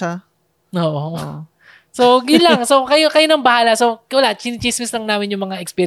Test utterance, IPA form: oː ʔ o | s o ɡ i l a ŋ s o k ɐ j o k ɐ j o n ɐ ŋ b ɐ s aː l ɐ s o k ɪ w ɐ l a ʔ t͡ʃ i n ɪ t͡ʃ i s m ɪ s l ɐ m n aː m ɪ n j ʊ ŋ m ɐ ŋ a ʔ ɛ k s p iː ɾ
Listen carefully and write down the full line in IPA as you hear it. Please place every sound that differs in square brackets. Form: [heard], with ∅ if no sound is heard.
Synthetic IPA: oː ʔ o | s o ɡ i l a ŋ s o k ɐ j o k ɐ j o n ɐ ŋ b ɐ [h] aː l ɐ s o k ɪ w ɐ l a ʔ t͡ʃ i n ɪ t͡ʃ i s m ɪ s l ɐ [ŋ] n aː m ɪ n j ʊ ŋ m ɐ ŋ a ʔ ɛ k s p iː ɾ